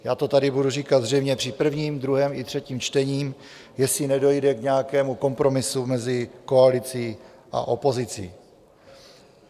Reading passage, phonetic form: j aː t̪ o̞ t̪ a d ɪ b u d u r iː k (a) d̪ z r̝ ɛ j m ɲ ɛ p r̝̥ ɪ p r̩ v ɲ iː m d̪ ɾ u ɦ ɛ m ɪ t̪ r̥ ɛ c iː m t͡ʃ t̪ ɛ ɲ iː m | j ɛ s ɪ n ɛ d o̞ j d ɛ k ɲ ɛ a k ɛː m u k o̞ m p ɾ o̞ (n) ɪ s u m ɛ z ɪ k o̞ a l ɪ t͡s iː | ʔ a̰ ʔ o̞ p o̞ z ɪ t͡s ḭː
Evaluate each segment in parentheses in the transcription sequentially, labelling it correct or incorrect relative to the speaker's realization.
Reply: correct, incorrect

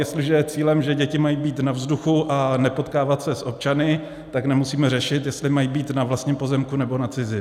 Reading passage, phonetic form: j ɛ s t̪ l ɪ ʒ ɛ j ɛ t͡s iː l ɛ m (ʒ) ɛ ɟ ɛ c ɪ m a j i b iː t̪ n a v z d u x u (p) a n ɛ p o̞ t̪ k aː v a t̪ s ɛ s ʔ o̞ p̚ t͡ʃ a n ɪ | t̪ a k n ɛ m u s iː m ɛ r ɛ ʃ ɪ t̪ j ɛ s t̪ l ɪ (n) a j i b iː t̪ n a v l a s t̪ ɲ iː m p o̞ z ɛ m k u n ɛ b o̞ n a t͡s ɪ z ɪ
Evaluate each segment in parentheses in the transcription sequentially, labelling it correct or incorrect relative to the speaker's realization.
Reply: correct, incorrect, incorrect

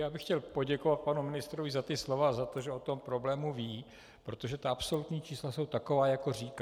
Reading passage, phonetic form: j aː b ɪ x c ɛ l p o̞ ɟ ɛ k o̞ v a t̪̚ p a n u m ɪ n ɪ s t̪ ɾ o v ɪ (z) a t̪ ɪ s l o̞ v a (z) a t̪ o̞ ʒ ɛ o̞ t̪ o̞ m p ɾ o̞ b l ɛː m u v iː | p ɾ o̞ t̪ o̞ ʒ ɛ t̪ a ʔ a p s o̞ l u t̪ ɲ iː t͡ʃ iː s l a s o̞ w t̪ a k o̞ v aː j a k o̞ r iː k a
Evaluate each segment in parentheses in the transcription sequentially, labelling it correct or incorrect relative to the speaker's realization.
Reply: correct, correct

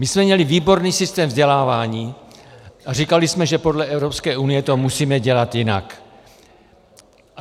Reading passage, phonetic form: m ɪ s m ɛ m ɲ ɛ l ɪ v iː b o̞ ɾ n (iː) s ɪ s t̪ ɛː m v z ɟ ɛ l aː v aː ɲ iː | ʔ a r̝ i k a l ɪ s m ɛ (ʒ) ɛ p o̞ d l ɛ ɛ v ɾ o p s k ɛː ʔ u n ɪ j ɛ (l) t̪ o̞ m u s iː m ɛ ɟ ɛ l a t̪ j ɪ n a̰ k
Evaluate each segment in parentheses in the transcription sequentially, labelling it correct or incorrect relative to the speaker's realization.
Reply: correct, correct, incorrect

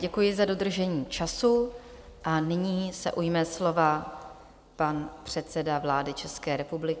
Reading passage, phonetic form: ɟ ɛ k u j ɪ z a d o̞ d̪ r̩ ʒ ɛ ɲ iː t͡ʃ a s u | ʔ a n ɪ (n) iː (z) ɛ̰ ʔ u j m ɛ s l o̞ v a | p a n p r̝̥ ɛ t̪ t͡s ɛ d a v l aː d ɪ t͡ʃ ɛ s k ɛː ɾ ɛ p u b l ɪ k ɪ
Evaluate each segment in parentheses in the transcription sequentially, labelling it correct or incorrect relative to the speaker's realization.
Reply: incorrect, incorrect

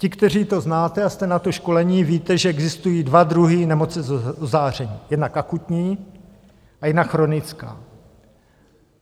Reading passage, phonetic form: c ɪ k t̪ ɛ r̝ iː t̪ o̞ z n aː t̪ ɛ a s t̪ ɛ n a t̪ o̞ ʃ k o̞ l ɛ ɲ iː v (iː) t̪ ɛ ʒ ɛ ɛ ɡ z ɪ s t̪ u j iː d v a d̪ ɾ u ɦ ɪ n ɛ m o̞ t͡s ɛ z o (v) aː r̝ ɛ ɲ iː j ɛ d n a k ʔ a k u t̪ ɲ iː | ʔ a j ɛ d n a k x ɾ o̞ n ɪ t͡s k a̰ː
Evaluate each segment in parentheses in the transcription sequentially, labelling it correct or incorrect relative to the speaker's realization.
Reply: correct, incorrect

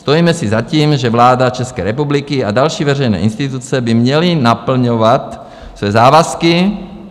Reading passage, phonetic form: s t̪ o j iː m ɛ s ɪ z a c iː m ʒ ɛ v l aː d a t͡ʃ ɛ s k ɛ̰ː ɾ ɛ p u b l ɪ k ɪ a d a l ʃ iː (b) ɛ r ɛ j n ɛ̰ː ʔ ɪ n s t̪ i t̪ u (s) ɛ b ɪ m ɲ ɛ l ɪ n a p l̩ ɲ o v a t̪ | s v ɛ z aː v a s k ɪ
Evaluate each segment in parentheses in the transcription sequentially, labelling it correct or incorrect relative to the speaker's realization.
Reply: incorrect, incorrect

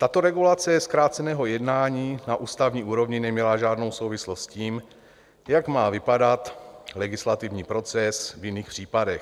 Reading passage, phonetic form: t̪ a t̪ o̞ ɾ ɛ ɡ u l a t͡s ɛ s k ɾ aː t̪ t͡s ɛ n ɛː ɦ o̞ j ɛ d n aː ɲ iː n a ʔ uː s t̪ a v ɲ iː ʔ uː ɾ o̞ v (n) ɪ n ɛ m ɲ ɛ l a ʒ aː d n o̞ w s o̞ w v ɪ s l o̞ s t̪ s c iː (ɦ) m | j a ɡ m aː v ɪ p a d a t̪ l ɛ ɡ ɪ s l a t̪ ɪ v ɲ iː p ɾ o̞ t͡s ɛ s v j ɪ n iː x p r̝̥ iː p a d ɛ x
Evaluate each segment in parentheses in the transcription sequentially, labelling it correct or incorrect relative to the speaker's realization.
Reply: incorrect, incorrect

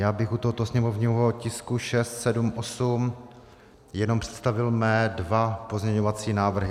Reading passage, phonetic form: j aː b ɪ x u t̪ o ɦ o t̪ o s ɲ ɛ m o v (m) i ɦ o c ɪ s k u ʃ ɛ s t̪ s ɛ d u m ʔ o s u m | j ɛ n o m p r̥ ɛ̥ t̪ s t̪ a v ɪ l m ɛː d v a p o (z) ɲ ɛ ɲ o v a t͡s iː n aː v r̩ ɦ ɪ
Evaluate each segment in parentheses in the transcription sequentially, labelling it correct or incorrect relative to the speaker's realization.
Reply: incorrect, correct

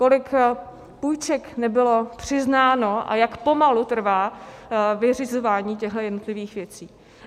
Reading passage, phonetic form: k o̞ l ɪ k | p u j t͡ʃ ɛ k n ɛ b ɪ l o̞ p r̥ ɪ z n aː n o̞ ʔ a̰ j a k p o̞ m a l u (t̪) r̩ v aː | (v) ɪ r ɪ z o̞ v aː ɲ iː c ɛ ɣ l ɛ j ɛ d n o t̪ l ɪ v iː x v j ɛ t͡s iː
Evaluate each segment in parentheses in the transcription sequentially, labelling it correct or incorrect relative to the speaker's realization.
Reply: correct, correct

